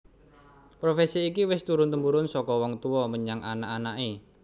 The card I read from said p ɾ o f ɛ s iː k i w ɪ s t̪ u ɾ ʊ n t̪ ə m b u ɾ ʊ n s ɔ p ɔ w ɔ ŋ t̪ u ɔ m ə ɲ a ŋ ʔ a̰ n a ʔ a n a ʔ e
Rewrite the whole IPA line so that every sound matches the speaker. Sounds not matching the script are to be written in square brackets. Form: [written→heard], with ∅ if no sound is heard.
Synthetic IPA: p ɾ o f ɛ s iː k i w ɪ s t̪ u ɾ ʊ n t̪ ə m b u ɾ ʊ n s ɔ [p→k] ɔ w ɔ ŋ t̪ u ɔ m ə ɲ a ŋ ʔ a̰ n a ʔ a n a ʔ e